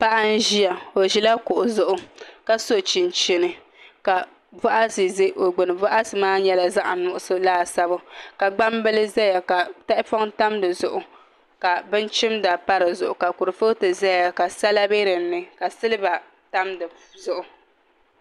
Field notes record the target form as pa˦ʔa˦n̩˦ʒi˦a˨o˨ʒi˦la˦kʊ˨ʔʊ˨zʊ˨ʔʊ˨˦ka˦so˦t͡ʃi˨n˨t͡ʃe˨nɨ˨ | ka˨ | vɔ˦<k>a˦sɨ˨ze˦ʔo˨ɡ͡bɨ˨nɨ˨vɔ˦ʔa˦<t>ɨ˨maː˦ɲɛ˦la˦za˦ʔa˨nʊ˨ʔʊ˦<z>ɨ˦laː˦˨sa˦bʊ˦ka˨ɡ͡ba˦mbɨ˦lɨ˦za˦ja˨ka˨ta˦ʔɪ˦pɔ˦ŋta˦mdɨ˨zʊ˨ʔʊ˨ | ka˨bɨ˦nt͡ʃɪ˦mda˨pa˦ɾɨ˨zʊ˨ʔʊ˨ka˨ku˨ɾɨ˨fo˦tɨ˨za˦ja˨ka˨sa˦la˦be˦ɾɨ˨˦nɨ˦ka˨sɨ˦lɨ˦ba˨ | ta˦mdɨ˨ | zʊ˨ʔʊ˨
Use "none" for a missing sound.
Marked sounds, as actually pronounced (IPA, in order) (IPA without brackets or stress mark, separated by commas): ʔ, s, s